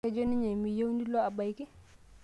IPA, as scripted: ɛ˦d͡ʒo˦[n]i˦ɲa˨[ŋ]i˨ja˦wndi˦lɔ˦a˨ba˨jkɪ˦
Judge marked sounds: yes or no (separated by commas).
yes, no